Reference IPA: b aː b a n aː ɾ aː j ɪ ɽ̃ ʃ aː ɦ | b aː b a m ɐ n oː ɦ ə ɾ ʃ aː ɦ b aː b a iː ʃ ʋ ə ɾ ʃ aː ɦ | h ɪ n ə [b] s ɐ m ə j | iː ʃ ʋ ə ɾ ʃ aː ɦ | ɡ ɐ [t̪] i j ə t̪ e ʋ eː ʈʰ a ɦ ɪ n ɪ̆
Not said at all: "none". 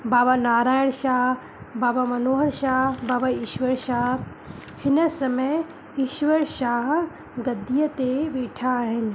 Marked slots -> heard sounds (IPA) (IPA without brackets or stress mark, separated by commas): none, d̪